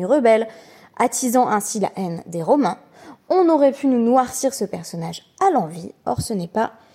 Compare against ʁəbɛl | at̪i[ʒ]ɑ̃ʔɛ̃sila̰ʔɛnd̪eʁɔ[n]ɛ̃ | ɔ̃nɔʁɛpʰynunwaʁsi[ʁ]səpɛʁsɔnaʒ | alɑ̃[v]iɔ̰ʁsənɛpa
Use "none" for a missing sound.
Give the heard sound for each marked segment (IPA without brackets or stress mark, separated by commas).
z, m, ʁ, v